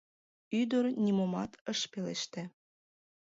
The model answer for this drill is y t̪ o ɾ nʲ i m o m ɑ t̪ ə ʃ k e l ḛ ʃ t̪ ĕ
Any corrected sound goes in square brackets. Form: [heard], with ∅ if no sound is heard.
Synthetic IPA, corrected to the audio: y [d̪] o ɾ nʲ i m o m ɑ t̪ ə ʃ [p] e l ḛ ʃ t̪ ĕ

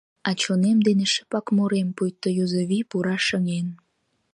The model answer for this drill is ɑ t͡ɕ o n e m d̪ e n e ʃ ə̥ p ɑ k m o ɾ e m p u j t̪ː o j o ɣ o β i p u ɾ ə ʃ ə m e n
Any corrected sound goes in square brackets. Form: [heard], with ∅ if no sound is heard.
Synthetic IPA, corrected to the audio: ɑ t͡ɕ o n e m d̪ e n e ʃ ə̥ p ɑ k m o ɾ e m p u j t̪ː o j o [z] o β i p u ɾ [ɑ] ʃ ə [ŋ] e n

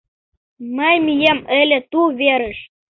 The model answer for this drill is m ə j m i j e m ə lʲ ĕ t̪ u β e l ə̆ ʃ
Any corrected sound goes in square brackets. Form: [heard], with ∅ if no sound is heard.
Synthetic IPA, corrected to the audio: m ə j m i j e m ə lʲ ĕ t̪ u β e [ɾ] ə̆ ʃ

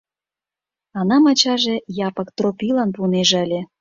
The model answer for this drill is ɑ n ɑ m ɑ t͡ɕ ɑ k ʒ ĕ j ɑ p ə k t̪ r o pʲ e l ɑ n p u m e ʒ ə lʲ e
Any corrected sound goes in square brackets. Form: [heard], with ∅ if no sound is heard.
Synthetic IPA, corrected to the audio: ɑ n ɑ m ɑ t͡ɕ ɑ [∅] ʒ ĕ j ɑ p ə k t̪ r o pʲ [i] l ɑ n p u [n] e ʒ ə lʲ e

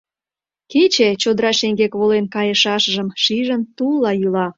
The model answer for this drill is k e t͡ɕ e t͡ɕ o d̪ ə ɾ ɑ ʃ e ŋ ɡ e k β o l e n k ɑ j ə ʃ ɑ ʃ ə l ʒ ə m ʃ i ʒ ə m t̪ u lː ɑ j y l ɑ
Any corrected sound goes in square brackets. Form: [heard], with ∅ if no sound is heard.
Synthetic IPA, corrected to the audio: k e t͡ɕ e t͡ɕ o d̪ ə ɾ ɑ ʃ e ŋ ɡ e k β o l e n k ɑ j ə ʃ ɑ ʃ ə [∅] ʒ ə m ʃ i ʒ ə [n] t̪ u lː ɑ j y l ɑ

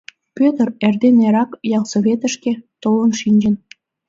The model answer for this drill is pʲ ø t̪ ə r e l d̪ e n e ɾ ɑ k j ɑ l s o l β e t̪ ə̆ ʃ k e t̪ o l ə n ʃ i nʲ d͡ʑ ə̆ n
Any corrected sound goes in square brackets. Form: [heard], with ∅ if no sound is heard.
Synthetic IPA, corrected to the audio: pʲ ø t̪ ə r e [r] d̪ e n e ɾ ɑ k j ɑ l s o [∅] β e t̪ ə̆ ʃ k e t̪ o l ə n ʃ i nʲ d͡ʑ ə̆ n

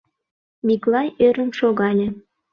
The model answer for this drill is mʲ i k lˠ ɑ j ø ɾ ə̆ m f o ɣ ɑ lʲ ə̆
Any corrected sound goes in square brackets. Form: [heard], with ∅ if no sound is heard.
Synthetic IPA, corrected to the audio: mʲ i k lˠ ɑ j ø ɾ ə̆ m [ʃ] o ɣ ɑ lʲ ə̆

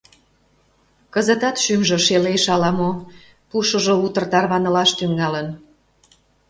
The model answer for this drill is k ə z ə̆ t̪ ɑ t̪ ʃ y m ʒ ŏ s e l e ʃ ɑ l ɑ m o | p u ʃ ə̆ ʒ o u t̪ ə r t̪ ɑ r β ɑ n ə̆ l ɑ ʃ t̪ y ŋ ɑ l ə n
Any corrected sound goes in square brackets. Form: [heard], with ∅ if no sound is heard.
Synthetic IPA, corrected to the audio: k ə z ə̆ t̪ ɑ t̪ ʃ y m ʒ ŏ [ʃ] e l e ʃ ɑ l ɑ m o | p u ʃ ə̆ ʒ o u t̪ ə r t̪ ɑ r β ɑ n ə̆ l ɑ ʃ t̪ y ŋ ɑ l ə n

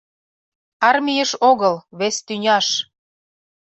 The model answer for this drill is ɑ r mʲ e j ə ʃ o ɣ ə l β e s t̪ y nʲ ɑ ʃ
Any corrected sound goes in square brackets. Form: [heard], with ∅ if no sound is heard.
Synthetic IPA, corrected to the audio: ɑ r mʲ [i] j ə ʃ o ɣ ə l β e s t̪ y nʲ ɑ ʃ

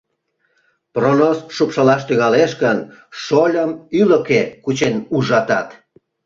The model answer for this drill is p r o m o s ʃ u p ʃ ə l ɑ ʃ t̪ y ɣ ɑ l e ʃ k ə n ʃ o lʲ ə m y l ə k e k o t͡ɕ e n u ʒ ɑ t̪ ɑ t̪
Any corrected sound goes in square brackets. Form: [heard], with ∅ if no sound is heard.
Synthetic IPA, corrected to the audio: p r o [n] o s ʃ u p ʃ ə l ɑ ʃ t̪ y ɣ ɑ l e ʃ k ə n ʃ o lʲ ə m y l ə k e k [u] t͡ɕ e n u ʒ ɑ t̪ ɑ t̪

